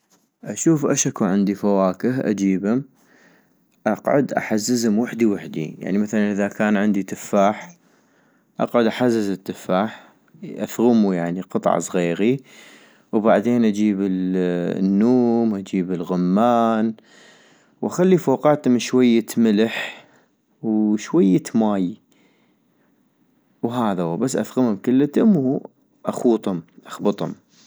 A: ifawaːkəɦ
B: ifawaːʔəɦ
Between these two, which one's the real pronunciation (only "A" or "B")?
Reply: A